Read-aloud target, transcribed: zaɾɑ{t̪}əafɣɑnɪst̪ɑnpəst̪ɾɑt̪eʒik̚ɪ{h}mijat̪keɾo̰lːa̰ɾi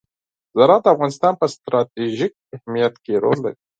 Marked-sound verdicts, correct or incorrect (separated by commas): incorrect, correct